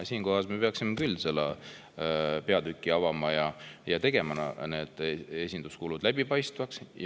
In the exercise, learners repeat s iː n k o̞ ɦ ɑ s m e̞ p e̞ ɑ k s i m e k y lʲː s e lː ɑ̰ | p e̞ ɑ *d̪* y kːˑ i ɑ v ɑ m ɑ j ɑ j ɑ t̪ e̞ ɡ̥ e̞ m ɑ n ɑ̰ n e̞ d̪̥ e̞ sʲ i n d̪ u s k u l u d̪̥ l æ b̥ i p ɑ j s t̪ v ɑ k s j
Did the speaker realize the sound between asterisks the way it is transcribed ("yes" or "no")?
yes